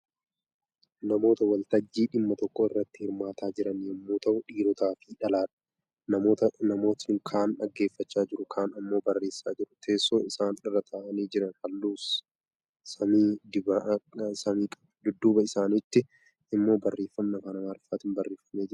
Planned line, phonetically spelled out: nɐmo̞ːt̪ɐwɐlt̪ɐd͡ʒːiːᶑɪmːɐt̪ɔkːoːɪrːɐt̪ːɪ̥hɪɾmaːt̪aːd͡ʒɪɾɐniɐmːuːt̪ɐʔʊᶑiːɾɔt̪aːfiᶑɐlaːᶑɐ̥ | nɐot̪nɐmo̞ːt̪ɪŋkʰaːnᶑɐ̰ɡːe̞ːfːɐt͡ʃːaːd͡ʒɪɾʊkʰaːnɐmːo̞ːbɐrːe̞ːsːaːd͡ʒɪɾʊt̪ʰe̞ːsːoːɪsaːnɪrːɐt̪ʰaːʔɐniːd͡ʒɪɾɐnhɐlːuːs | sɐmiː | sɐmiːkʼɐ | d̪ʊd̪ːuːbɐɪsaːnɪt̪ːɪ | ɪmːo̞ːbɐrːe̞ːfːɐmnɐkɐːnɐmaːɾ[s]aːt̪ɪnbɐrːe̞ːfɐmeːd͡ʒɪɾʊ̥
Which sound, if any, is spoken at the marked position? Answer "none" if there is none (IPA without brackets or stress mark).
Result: f